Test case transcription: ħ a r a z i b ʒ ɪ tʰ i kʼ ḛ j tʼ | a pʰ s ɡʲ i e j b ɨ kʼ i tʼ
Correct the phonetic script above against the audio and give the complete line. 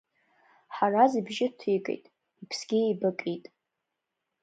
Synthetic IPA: ħ a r a z i b ʒ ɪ tʰ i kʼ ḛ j tʼ | i pʰ s ɡʲ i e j b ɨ kʼ i tʼ